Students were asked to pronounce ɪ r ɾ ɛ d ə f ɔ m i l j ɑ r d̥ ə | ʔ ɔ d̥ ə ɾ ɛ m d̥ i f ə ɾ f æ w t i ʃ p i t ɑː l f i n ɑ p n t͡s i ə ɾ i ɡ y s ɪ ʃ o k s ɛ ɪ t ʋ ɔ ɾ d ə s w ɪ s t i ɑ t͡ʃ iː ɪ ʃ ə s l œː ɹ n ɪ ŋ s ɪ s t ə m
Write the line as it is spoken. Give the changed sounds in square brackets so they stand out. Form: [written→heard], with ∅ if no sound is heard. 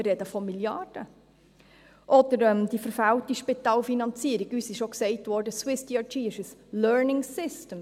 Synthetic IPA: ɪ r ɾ ɛ d ə f ɔ m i l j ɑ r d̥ ə | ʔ ɔ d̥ ə ɾ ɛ m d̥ i f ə ɾ f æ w t i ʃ p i t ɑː l f i n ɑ [p→∅] n t͡s i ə ɾ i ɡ y s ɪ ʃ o k s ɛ ɪ t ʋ ɔ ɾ d ə s w ɪ s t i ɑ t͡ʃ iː ɪ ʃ ə s l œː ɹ n ɪ ŋ s ɪ s t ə m